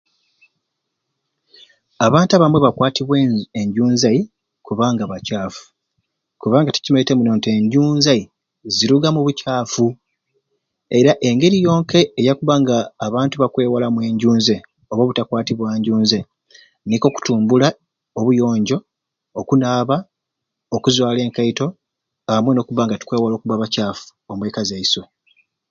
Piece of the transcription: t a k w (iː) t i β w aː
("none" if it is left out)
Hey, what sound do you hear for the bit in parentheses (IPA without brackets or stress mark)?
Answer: aː